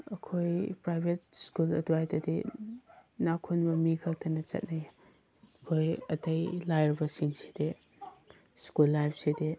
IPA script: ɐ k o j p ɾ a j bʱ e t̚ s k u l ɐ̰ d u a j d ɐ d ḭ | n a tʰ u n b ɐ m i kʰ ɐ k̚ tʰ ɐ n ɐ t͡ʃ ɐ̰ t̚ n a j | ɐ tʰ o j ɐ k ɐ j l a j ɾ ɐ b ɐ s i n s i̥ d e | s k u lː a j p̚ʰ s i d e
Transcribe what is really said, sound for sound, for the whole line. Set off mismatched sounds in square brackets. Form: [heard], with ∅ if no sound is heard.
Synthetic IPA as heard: ɐ [kʰ] o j p ɾ a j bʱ e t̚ s k u l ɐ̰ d u a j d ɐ d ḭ | n a [kʰ] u n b ɐ m i kʰ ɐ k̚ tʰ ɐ n ɐ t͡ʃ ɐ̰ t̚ n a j | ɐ [kʰ] o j ɐ [t] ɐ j l a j ɾ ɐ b ɐ s i [ŋ] s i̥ d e | s k u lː a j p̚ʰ s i d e